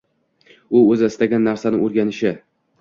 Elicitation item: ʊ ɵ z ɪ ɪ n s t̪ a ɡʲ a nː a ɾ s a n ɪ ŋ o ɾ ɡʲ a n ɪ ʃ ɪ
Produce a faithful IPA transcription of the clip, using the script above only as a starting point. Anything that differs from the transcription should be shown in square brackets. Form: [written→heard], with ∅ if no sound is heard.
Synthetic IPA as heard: ʊ ɵ z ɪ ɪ [n→∅] s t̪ a ɡʲ a nː a ɾ s a n ɪ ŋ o ɾ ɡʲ a n ɪ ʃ ɪ